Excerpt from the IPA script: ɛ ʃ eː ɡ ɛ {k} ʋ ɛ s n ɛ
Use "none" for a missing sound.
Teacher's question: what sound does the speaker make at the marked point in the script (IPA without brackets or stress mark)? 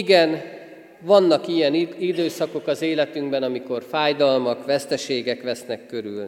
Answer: k